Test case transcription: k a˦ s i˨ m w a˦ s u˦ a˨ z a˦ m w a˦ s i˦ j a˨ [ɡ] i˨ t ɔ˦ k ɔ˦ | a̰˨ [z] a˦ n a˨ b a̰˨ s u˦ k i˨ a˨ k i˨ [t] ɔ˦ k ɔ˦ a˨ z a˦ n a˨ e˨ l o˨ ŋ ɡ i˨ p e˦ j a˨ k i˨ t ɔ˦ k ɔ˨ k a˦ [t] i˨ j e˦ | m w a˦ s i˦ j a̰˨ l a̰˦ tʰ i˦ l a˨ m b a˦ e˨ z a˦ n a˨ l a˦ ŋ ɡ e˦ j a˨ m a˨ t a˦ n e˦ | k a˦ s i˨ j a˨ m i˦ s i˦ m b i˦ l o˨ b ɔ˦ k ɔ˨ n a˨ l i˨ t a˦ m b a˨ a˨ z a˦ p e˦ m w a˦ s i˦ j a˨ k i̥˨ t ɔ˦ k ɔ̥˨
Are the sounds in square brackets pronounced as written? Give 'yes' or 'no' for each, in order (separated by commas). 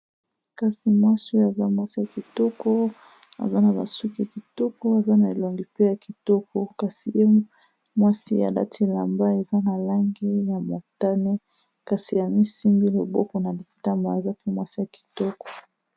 no, yes, yes, no